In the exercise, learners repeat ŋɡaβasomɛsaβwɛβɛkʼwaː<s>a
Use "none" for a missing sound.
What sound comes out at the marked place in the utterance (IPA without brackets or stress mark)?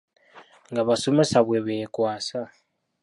s